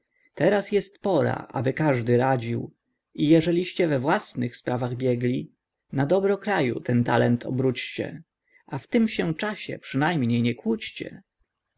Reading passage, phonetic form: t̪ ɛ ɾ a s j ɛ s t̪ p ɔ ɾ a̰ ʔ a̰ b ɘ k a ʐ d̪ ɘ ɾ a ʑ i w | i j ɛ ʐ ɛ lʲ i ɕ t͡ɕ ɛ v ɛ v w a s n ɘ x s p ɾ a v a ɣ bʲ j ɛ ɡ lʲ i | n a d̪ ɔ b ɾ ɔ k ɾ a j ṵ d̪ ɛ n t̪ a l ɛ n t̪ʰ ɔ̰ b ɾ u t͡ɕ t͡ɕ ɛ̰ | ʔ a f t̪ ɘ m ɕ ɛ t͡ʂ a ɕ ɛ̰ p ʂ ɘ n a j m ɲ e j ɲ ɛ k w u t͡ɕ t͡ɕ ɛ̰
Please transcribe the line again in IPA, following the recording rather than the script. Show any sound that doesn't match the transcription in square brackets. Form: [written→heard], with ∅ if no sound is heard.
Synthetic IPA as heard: t̪ ɛ ɾ a s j ɛ s t̪ p ɔ ɾ a̰ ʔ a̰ b ɘ k a ʐ d̪ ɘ ɾ a [ʑ→d͡ʑ] i w | i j ɛ ʐ ɛ lʲ i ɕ t͡ɕ ɛ v ɛ v w a s n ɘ x s p ɾ a v a ɣ bʲ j ɛ ɡ lʲ i | n a d̪ ɔ b ɾ ɔ k ɾ a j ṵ [d̪→t̪] ɛ n t̪ a l ɛ n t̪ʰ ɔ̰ b ɾ u t͡ɕ t͡ɕ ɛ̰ | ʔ a f t̪ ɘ m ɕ ɛ t͡ʂ a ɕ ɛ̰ p ʂ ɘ n a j m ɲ e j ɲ ɛ k w u t͡ɕ t͡ɕ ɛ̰